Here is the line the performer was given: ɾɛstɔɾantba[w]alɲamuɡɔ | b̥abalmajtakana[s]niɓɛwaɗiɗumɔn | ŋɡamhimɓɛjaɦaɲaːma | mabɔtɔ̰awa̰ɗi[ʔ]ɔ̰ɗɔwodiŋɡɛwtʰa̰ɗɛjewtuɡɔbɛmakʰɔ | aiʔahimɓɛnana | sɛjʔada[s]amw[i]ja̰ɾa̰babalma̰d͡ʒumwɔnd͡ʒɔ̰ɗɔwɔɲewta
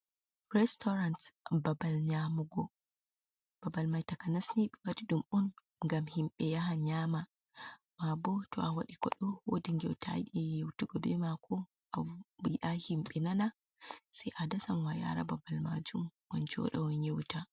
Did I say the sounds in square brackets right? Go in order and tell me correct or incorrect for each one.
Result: incorrect, correct, incorrect, correct, incorrect

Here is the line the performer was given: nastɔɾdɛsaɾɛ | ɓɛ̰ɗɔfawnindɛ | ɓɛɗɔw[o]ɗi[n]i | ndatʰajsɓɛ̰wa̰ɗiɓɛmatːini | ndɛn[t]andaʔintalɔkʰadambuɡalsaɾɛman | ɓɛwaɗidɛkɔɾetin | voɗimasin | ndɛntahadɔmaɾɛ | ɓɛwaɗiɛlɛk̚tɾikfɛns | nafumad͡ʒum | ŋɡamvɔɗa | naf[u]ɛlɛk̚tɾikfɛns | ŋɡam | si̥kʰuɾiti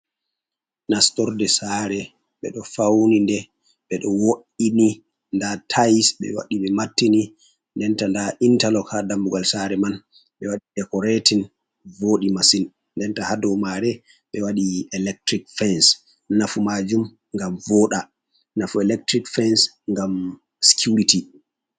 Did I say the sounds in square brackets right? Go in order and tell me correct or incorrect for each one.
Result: correct, correct, correct, correct

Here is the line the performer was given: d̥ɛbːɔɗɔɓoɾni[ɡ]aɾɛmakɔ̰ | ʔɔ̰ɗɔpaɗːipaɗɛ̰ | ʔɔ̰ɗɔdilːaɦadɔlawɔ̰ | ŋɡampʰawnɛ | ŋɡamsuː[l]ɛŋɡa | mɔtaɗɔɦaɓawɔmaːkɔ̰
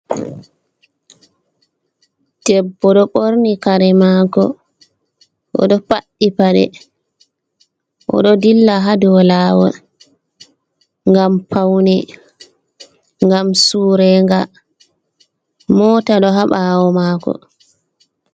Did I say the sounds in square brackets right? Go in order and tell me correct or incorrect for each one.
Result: incorrect, incorrect

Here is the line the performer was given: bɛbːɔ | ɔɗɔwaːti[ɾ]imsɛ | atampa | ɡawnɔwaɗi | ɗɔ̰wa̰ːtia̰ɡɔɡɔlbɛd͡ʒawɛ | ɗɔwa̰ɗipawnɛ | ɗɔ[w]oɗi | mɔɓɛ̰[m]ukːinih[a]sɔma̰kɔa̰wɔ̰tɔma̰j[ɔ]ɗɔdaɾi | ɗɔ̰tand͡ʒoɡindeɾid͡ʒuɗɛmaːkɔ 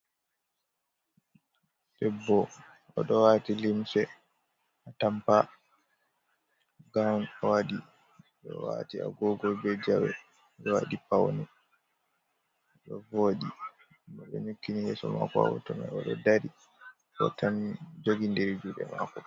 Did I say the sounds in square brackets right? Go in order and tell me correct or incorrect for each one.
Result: incorrect, incorrect, incorrect, incorrect, correct

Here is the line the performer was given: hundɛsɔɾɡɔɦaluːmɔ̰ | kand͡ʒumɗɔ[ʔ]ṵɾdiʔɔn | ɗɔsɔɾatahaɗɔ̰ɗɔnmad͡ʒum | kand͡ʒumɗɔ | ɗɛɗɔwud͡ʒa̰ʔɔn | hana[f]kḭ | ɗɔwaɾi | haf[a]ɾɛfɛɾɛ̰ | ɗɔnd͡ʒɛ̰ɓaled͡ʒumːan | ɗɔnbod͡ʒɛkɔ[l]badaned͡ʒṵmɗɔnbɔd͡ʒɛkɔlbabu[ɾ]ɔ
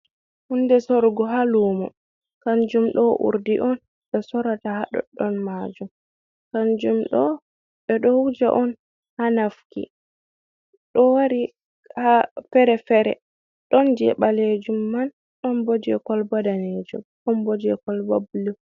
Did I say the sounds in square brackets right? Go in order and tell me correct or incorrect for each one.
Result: correct, correct, incorrect, correct, incorrect

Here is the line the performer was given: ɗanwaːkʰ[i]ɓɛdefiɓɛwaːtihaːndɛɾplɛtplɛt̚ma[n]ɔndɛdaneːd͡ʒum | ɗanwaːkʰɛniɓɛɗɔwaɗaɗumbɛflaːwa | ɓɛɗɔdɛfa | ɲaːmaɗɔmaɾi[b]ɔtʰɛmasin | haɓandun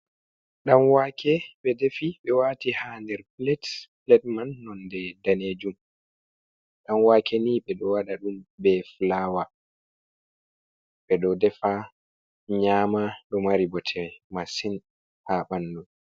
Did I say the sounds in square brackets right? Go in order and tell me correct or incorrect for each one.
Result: incorrect, incorrect, correct

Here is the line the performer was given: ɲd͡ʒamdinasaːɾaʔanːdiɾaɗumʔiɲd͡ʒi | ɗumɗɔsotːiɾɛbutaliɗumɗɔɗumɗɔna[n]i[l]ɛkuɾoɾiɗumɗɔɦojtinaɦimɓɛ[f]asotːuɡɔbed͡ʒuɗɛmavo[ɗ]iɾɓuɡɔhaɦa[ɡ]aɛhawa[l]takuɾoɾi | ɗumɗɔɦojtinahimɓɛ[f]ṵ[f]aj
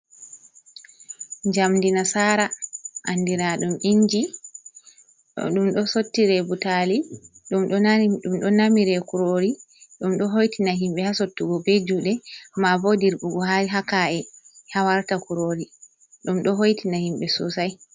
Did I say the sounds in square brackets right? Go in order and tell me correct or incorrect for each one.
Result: incorrect, incorrect, incorrect, incorrect, incorrect, incorrect, incorrect, incorrect

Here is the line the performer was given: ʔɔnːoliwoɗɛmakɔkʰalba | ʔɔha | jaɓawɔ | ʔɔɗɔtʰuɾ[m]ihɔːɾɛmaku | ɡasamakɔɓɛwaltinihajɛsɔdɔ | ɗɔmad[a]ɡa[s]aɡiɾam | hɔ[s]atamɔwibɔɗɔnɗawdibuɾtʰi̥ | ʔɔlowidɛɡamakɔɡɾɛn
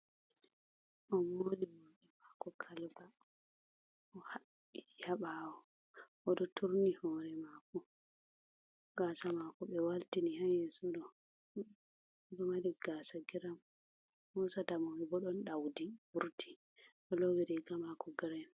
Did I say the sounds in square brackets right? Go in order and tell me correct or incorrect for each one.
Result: incorrect, incorrect, correct, correct

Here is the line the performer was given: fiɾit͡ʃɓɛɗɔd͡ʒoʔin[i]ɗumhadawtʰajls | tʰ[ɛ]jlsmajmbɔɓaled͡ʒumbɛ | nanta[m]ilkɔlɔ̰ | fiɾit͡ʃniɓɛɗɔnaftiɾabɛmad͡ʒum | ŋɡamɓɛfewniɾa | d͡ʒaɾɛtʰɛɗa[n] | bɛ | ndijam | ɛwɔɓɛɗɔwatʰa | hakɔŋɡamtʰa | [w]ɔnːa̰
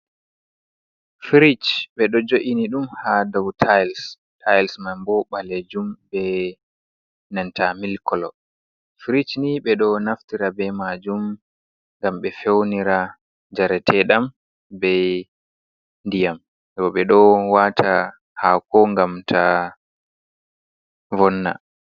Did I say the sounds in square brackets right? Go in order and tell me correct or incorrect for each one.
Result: correct, incorrect, correct, incorrect, incorrect

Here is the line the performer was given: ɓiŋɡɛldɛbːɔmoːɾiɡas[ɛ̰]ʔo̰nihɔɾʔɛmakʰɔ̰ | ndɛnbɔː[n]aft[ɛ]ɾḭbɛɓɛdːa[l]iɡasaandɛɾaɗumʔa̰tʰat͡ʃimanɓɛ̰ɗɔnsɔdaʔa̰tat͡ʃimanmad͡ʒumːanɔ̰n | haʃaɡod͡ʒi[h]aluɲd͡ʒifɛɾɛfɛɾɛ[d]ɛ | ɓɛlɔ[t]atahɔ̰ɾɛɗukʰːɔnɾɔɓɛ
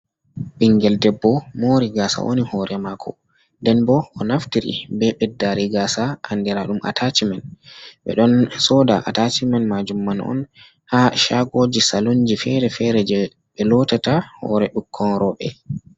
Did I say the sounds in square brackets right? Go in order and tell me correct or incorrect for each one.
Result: incorrect, correct, incorrect, incorrect, incorrect, incorrect, correct

